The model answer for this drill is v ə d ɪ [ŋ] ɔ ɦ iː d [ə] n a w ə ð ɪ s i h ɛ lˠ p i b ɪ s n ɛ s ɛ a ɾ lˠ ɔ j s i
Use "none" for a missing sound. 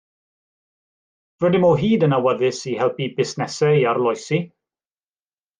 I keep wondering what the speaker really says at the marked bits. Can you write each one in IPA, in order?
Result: m, ə

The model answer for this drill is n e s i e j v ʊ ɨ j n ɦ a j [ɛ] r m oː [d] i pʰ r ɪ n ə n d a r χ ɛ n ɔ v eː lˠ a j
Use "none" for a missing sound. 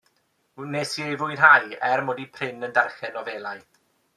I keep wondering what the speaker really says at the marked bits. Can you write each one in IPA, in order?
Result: ɛ, d

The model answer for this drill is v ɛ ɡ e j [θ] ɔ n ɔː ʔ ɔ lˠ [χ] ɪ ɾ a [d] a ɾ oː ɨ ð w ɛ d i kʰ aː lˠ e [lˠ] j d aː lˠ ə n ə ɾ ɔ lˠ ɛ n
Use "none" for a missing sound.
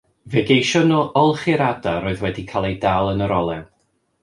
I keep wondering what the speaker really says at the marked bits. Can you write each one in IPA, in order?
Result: ʃ, χ, d, none

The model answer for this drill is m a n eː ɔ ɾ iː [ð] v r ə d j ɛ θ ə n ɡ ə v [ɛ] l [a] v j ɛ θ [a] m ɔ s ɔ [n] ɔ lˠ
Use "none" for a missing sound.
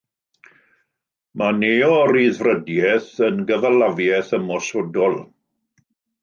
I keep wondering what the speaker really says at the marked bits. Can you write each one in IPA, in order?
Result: ð, a, a, ə, d

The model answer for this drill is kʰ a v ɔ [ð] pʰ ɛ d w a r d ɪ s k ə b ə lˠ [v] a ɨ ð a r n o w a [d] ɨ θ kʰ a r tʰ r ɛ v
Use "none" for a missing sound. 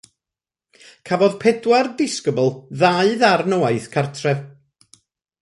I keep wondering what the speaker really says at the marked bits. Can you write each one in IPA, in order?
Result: ð, ð, none

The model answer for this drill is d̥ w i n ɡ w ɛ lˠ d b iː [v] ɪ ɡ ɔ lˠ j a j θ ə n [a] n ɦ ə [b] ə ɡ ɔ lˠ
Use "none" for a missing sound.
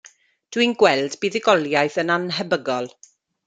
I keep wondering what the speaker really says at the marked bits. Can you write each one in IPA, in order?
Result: ð, a, b

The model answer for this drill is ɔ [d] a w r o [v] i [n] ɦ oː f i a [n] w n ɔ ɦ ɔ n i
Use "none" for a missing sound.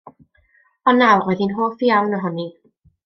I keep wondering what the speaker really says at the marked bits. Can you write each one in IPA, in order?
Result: n, ð, n, none

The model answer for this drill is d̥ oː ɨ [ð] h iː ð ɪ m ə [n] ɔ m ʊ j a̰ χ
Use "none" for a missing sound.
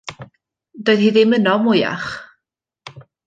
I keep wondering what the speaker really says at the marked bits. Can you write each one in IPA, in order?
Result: ð, n

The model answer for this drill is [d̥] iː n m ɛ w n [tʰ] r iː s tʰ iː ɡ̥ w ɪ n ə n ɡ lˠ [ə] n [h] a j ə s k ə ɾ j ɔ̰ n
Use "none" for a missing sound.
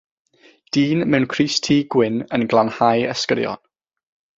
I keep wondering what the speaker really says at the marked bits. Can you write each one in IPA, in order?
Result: d̥, kʰ, a, h

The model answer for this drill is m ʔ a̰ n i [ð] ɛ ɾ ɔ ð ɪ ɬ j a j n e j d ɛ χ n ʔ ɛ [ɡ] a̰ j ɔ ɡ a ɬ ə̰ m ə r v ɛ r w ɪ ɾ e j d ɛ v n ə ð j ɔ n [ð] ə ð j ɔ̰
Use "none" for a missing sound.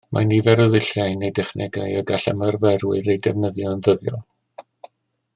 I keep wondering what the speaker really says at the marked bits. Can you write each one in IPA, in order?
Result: v, ɡ, ð

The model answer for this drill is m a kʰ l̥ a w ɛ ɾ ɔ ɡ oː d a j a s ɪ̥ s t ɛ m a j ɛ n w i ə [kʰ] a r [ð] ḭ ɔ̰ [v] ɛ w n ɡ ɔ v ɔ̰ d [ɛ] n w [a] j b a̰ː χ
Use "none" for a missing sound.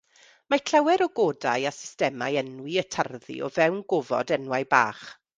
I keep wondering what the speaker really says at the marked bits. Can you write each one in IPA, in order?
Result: tʰ, ð, v, ɛ, a

